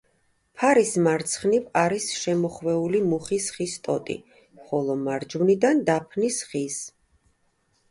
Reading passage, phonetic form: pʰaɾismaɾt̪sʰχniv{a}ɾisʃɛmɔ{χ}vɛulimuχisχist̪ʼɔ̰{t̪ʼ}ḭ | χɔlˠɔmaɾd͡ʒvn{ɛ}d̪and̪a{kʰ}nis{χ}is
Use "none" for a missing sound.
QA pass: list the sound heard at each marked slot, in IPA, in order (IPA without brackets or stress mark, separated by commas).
a, χ, t̪ʼ, i, pʰ, χ